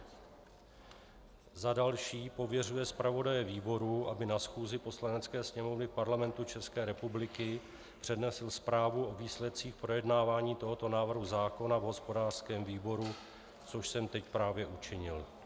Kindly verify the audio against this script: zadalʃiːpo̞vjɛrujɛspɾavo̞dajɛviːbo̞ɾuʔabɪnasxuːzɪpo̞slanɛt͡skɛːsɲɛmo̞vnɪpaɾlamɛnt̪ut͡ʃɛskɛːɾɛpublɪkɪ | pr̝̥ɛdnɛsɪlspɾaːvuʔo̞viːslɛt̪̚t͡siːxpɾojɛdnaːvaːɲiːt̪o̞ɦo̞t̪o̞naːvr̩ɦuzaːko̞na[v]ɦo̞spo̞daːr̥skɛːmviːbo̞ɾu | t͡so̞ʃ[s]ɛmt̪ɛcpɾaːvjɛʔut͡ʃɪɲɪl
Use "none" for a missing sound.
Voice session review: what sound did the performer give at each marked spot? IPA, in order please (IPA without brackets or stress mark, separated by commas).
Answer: v, s